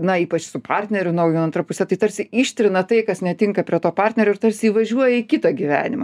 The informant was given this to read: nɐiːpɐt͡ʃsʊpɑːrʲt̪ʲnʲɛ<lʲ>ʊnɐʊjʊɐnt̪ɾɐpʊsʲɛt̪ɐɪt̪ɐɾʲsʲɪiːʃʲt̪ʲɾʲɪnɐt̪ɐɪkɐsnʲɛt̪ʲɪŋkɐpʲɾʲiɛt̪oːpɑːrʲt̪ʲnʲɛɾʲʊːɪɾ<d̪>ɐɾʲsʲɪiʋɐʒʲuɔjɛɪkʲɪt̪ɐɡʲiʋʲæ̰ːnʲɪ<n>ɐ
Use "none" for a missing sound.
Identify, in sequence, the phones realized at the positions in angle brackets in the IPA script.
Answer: ɾʲ, t̪, m

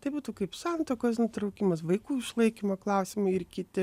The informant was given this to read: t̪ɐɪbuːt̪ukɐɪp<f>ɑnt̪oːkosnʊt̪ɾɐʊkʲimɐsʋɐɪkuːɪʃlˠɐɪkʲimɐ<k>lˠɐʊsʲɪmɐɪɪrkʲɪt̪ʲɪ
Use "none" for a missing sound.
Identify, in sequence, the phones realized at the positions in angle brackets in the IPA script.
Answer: s, k

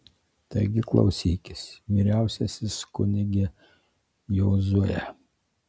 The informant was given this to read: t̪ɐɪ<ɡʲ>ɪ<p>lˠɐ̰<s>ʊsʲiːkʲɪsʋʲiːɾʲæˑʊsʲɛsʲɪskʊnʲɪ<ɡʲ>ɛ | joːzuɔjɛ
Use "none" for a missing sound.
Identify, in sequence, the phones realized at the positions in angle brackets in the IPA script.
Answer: ɡʲ, k, none, ɡʲ

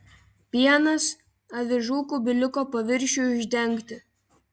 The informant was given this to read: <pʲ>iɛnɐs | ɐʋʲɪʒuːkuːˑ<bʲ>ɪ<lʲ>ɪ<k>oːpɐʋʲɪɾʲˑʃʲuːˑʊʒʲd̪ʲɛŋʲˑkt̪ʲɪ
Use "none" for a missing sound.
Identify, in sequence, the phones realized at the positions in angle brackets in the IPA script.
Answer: pʲ, bʲ, lʲ, k

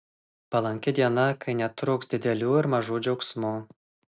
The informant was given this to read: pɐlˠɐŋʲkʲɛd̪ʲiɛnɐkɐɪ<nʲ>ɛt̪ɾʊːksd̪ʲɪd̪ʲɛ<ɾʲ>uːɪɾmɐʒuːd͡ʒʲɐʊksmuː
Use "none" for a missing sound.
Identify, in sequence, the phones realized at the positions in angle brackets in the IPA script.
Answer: nʲ, lʲ

